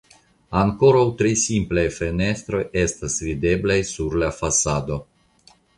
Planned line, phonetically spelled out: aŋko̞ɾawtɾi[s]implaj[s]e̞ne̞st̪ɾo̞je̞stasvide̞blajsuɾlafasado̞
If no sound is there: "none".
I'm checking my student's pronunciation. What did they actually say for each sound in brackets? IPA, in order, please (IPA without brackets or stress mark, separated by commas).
s, f